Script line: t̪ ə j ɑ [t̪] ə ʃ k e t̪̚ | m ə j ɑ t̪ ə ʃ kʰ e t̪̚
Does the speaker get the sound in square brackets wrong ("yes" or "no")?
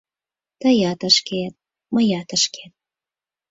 no